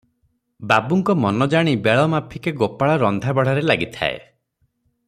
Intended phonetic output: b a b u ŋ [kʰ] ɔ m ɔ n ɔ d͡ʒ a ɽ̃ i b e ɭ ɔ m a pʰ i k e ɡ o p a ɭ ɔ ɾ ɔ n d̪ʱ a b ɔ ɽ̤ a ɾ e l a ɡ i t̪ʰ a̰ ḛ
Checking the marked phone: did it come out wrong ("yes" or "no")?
yes